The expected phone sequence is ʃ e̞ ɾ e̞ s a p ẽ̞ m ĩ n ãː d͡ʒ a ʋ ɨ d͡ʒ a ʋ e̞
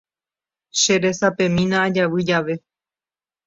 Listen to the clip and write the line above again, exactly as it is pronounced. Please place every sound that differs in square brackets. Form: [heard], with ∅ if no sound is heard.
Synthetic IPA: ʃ e̞ ɾ e̞ s a p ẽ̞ m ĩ n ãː d͡ʒ a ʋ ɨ d͡ʒ a ʋ e̞